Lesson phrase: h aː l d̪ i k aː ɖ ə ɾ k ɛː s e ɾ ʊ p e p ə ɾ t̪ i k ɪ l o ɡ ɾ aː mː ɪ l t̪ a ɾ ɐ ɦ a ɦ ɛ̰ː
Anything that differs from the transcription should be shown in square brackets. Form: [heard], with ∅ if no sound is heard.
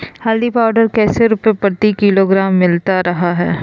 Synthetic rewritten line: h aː l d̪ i [p] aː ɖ ə ɾ k ɛː s e ɾ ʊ p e p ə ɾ t̪ i k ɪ l o ɡ ɾ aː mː ɪ l t̪ a ɾ ɐ ɦ a ɦ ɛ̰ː